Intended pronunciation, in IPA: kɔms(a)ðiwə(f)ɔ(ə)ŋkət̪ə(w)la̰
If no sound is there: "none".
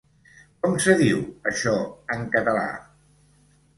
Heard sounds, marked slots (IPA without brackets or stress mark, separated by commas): ə, ʃ, ə, none